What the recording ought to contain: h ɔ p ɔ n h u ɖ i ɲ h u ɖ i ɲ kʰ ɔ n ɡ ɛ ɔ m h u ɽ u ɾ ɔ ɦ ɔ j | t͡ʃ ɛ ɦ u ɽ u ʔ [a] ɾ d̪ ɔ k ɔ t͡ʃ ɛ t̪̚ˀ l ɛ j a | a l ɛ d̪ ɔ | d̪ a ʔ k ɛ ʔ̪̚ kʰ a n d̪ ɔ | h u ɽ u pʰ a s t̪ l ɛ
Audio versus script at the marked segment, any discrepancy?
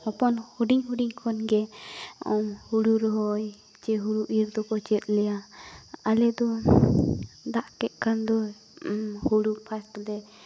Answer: yes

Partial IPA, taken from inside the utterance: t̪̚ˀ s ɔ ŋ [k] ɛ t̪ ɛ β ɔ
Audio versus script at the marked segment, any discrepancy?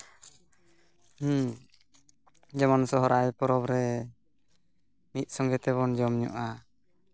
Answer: yes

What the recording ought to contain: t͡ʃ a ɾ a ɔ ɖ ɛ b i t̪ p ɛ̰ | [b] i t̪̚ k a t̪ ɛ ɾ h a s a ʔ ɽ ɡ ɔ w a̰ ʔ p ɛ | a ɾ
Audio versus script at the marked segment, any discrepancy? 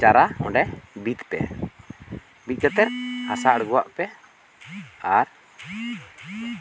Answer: no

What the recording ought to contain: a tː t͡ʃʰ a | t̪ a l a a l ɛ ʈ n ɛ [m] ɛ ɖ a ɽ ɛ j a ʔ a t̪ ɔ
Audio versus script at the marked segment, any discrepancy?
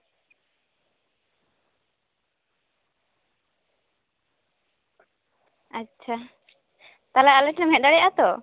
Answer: no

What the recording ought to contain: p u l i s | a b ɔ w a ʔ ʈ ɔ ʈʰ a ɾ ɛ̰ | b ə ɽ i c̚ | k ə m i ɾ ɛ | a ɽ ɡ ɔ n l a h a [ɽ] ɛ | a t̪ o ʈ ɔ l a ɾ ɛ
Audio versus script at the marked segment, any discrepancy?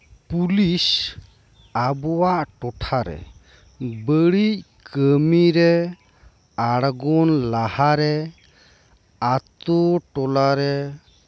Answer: yes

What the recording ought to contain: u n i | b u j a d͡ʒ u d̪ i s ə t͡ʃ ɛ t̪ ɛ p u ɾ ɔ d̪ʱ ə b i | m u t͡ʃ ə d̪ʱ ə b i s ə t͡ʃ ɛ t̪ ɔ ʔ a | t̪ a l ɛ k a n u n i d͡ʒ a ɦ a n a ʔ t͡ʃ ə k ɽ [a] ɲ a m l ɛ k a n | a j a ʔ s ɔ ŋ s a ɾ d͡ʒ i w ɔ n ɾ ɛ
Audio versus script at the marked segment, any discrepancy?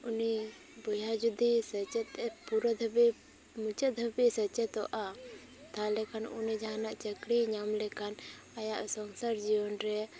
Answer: yes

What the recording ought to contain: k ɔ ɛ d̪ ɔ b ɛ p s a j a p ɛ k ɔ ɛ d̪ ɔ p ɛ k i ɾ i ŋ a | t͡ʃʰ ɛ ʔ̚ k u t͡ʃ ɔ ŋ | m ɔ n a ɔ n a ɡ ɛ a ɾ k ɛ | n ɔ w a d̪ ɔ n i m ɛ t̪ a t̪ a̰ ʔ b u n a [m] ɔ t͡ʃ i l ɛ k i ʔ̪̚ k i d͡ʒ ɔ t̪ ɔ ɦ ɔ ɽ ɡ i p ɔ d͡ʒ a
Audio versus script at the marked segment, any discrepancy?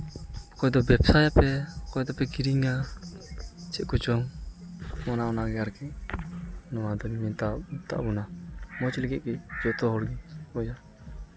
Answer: no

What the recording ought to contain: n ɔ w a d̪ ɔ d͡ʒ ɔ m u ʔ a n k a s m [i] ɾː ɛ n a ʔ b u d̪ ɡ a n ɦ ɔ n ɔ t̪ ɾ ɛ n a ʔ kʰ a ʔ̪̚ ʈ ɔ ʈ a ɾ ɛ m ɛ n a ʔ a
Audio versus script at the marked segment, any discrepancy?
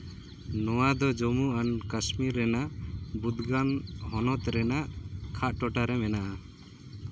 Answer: no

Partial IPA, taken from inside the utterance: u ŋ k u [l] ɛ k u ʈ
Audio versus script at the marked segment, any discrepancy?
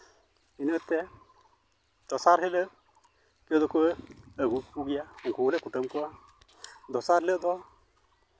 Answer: no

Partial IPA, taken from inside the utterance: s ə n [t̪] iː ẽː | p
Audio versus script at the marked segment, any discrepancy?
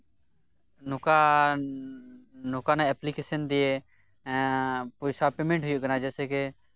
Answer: yes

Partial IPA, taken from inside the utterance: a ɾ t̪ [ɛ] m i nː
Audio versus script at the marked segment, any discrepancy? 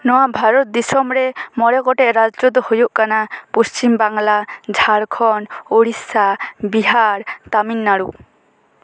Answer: yes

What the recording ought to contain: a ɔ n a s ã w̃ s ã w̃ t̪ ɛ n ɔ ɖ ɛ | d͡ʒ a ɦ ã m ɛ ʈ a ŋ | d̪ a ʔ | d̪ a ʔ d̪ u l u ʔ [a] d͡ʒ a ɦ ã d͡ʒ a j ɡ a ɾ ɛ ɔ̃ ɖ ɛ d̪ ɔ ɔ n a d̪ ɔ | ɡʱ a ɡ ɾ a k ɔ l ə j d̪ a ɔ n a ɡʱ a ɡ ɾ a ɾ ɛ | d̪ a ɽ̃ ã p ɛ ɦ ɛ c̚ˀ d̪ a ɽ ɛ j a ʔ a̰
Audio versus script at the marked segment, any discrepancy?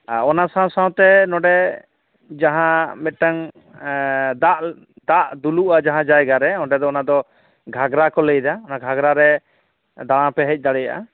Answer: no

